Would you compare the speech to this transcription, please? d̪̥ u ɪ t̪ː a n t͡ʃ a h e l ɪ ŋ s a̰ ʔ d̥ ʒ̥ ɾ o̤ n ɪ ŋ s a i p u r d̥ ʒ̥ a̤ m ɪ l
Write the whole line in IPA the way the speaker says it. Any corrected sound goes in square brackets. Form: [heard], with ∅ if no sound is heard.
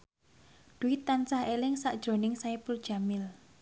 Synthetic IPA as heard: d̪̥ u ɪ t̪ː a n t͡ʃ a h e l ɪ ŋ s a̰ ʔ d̥ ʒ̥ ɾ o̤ n ɪ ŋ s a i p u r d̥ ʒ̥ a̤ m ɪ l